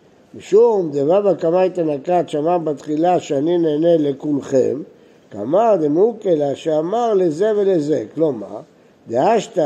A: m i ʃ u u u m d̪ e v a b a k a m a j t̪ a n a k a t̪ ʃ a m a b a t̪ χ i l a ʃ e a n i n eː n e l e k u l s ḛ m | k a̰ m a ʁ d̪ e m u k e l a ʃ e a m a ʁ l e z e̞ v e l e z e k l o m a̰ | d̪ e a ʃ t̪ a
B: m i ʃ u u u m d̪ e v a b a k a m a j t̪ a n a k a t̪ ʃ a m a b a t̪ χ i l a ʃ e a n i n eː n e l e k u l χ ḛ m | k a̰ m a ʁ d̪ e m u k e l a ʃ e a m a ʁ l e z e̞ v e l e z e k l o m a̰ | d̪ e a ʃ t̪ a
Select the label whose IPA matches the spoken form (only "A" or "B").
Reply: B